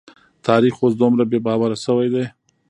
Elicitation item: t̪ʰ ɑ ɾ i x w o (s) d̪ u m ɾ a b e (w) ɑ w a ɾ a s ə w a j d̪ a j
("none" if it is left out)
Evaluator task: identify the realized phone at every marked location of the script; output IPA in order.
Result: s, b

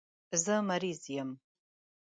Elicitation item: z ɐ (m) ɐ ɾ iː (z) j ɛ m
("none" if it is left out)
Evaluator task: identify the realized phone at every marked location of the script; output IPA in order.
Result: m, z

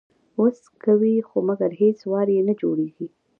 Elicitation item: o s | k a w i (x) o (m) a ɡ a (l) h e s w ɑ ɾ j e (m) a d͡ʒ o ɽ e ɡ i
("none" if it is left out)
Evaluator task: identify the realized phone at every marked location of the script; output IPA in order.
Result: x, m, ɾ, n

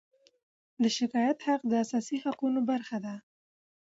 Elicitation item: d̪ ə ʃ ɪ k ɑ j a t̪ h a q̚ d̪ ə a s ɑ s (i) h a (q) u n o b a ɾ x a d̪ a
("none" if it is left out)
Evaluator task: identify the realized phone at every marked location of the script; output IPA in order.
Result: i, q

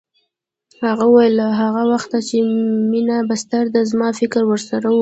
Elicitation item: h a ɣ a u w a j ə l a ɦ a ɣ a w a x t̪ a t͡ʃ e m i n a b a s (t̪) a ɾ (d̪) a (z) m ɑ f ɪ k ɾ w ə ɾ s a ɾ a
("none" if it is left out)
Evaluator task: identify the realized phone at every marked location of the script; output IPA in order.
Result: t̪, d̪, z

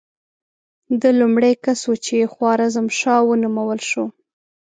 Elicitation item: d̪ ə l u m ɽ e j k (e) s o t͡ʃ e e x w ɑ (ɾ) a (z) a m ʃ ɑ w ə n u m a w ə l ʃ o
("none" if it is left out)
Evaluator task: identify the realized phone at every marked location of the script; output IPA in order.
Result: a, ɾ, z

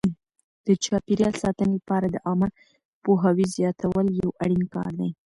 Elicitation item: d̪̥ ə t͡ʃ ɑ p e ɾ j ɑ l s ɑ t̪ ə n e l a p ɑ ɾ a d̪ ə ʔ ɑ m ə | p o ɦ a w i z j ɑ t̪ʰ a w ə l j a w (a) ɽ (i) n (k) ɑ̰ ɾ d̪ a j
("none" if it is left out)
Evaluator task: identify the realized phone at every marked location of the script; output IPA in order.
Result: a, i, k

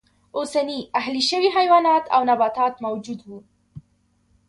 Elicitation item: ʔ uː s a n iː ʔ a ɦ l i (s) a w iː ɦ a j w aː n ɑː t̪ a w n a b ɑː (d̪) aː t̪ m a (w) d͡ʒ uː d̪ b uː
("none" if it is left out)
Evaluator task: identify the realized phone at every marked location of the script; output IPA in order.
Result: ʃ, t̪, w

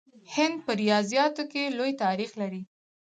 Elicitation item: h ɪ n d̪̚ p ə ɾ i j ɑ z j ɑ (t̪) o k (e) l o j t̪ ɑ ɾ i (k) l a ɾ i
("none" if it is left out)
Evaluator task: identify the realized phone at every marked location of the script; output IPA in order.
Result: t̪, e, x

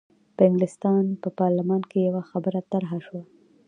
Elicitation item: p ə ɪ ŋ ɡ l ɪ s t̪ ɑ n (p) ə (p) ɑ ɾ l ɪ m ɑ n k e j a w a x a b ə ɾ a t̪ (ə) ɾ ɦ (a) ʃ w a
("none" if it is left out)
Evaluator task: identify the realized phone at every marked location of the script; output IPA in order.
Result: p, p, a, a

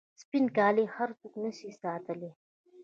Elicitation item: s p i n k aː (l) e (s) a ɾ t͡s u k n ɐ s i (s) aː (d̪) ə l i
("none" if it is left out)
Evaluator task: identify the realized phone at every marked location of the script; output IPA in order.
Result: l, h, s, t̪

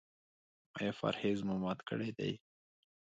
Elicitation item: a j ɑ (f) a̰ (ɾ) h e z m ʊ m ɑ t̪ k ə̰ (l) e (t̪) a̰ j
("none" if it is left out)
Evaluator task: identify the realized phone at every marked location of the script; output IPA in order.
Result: f, ɾ, ɽ, d̪

